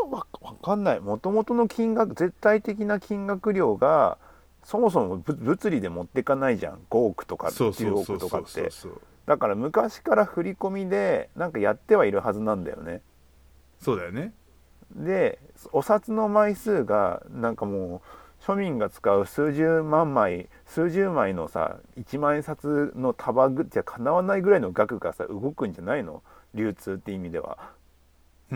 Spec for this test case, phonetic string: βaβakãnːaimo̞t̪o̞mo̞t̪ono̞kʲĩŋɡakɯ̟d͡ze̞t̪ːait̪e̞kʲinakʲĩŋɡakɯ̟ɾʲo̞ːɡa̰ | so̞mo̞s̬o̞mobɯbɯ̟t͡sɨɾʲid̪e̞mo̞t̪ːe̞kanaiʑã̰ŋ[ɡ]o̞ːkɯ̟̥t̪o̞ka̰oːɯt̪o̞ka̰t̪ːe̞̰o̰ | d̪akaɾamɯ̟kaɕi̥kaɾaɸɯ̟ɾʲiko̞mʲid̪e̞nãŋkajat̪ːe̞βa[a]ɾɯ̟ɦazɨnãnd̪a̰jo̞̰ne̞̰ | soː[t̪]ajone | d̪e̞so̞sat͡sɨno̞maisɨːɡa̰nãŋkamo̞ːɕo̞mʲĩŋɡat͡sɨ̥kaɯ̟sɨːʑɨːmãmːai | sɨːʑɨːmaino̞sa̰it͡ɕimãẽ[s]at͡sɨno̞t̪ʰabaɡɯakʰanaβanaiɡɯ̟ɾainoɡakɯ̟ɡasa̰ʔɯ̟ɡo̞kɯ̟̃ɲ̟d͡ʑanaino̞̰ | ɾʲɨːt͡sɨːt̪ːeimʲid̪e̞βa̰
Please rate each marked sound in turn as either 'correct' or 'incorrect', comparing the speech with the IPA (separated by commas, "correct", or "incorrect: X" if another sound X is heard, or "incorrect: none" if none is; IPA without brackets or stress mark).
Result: correct, incorrect: i, incorrect: d̪, correct